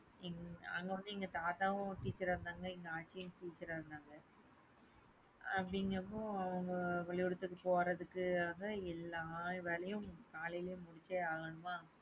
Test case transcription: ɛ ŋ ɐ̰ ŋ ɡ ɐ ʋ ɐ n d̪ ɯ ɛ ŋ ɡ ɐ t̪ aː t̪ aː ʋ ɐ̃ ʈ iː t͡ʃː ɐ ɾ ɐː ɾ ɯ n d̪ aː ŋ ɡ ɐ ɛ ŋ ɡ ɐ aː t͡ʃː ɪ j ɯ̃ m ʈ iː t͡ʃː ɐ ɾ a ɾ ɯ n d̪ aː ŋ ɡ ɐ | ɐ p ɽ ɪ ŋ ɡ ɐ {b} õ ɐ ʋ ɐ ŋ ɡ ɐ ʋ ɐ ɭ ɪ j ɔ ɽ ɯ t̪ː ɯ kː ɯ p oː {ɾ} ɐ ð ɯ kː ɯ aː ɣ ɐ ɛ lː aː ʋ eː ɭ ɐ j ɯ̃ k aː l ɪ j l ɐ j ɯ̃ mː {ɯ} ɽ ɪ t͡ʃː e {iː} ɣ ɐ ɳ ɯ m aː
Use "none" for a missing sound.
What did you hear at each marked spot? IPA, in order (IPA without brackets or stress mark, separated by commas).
m, ɾ, ʊ, aː